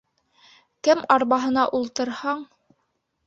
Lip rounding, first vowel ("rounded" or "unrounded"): unrounded